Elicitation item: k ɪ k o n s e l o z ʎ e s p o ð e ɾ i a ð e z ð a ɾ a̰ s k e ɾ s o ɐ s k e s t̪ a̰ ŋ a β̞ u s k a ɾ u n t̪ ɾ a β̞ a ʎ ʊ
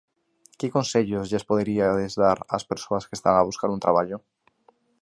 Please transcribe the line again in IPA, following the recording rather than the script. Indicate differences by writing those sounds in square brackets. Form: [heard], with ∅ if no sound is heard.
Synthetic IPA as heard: k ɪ k o n s e [ʎ] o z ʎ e s p o ð e ɾ i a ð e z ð a ɾ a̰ s [p] e ɾ s o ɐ s k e s t̪ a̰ ŋ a β̞ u s k a ɾ u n t̪ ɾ a β̞ a ʎ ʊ